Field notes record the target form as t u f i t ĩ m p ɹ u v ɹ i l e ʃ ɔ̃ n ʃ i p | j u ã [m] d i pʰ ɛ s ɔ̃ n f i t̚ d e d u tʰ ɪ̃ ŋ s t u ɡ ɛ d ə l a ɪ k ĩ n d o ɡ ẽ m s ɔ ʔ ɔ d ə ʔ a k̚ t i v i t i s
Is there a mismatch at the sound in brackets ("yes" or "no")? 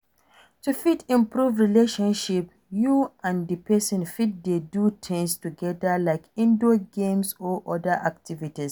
yes